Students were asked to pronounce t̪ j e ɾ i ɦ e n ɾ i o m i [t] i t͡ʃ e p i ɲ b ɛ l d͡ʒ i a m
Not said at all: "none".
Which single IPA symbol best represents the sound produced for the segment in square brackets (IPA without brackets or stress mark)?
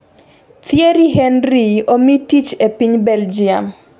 t